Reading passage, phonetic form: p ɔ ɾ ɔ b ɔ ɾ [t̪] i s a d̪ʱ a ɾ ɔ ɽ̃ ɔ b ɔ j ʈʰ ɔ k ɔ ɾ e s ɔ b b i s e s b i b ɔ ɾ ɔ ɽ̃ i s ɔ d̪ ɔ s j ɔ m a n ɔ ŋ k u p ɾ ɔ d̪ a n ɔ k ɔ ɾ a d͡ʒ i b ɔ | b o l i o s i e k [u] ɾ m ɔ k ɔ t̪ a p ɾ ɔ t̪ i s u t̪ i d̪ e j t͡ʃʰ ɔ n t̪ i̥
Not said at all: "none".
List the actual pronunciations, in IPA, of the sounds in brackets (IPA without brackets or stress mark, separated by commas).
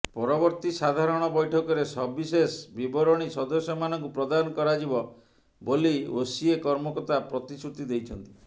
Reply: t̪, ɔ